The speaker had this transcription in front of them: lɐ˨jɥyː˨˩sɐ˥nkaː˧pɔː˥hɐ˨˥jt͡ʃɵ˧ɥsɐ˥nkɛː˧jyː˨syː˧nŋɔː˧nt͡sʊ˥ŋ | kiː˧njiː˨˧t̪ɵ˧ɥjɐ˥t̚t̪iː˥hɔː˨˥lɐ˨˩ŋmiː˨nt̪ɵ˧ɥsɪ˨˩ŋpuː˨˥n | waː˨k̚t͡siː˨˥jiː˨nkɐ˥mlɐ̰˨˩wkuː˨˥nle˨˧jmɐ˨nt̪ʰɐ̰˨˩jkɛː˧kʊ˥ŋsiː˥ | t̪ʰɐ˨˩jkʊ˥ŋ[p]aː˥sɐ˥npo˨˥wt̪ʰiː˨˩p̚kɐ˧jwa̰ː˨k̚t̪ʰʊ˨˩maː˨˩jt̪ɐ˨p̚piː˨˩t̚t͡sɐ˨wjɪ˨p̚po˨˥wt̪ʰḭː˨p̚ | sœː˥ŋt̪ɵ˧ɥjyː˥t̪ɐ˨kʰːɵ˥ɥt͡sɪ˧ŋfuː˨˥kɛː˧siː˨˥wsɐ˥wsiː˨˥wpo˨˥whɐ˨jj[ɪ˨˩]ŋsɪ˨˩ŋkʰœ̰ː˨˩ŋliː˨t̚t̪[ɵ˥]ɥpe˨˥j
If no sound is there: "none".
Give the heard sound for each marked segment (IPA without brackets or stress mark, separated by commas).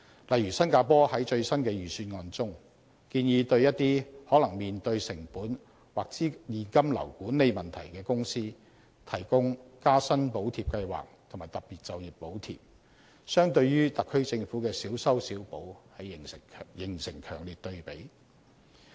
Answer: k, ɪ˨˩, ɵ˧